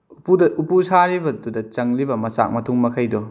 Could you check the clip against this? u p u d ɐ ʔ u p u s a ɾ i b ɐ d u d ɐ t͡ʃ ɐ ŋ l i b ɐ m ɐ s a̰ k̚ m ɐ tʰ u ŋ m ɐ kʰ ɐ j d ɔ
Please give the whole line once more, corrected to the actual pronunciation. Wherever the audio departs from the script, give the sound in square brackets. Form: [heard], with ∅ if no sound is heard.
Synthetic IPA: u p u d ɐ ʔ u p u s a ɾ i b ɐ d u d ɐ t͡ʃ ɐ ŋ l i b ɐ m ɐ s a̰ k̚ m ɐ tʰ u ŋ m ɐ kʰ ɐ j d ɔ